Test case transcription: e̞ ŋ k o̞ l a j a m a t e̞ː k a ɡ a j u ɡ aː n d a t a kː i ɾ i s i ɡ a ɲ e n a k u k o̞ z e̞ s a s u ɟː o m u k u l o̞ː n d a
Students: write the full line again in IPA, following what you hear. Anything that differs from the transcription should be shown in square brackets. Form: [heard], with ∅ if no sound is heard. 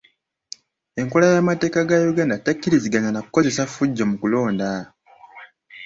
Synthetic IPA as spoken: e̞ ŋ k o̞ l a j a m a t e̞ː k a ɡ a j u ɡ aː n d a t a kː i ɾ i [z] i ɡ a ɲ [a] n a k u k o̞ z e̞ s a [f] u ɟː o m u k u l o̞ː n d a